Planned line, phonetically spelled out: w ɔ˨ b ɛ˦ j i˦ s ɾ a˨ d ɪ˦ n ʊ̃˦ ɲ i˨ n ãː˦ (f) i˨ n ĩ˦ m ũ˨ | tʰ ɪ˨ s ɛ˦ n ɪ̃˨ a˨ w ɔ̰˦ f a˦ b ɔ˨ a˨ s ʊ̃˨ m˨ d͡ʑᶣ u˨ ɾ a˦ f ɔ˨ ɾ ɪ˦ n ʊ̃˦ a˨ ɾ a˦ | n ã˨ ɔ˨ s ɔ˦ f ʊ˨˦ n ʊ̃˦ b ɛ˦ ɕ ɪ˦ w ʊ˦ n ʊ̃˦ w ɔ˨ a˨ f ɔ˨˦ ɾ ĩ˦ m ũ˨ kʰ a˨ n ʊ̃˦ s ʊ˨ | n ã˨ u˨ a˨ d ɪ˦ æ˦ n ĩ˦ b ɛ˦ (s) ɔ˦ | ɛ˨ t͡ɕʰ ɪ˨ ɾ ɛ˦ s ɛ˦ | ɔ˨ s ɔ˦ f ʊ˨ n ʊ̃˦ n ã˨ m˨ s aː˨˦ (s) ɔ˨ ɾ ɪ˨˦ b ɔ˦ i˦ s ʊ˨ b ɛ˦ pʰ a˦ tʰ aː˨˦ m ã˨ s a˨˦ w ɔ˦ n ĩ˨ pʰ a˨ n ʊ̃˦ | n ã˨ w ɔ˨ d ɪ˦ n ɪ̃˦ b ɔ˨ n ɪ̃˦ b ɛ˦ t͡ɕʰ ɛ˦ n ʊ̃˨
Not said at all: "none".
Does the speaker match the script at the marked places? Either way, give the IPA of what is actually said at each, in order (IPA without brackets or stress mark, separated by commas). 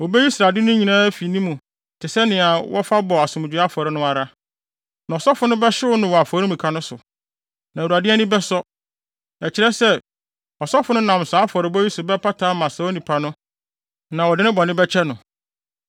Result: f, s, f